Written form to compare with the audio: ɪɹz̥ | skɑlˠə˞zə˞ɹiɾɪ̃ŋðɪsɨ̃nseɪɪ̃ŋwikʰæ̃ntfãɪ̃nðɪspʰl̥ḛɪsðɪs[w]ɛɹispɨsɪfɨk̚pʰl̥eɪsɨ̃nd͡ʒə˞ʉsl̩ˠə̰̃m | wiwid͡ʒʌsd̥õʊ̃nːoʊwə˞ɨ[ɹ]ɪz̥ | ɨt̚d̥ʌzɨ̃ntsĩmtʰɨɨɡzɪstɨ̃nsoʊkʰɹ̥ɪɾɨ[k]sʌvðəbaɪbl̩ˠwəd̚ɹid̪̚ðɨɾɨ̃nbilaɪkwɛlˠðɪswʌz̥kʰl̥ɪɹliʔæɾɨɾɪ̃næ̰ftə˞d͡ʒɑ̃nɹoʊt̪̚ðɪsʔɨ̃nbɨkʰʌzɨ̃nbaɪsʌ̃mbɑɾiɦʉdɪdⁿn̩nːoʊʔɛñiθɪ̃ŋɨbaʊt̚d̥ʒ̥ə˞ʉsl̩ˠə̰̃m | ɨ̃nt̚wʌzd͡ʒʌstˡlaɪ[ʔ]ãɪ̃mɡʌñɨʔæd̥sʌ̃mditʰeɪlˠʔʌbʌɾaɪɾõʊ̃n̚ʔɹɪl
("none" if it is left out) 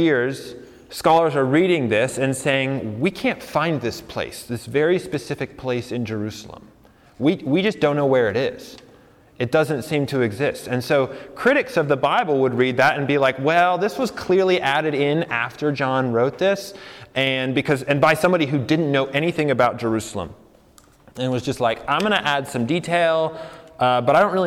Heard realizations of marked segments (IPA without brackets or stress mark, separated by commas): v, ɾ, k, k